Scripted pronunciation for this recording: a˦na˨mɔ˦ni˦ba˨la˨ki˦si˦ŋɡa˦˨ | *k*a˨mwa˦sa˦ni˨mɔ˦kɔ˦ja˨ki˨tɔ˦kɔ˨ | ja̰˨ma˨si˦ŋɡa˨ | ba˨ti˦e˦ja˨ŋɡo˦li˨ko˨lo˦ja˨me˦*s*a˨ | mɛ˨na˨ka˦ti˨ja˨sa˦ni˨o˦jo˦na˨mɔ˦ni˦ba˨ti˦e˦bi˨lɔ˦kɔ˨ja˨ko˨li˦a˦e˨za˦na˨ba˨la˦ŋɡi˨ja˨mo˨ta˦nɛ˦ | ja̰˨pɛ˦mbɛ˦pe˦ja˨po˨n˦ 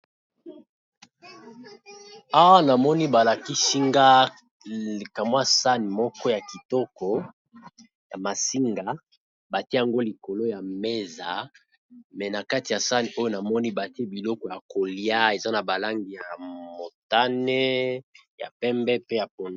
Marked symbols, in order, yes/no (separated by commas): yes, no